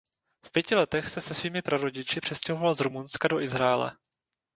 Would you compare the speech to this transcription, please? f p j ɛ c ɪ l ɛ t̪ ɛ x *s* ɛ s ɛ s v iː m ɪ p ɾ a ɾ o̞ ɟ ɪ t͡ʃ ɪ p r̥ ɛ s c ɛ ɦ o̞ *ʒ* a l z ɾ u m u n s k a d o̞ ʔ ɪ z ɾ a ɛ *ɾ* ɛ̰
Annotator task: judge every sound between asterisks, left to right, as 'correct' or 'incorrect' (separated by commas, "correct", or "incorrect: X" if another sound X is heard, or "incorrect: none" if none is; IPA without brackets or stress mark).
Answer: correct, incorrect: v, incorrect: l